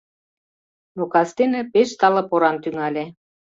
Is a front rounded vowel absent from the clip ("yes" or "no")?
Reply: no